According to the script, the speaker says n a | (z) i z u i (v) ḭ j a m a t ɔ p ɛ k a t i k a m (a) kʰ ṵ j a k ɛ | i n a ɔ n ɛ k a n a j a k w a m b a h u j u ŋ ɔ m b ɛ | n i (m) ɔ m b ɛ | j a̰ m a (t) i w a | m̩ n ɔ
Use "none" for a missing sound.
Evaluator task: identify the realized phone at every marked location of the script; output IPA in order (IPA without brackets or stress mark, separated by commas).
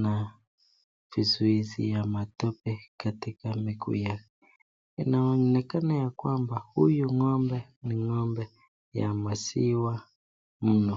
v, z, i, ŋ, s